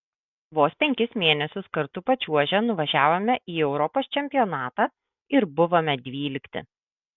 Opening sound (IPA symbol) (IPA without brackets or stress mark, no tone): ʋ